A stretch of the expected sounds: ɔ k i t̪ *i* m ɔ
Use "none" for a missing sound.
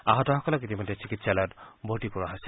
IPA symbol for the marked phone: i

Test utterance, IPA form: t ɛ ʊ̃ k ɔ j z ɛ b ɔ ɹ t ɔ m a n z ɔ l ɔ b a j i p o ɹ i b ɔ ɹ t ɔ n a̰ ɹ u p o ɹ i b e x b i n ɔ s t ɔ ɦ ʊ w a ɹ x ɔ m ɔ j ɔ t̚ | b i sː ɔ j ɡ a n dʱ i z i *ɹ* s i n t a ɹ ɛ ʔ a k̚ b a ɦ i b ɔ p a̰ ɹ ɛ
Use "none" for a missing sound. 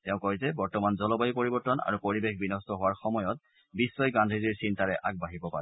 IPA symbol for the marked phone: ɹ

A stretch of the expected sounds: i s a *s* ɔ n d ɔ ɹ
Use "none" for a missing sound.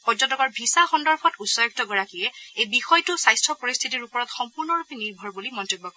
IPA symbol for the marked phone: x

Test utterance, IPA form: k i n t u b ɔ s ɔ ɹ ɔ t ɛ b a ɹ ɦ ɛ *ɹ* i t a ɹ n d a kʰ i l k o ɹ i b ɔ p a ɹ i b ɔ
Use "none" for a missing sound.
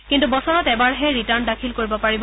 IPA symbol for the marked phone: ɹ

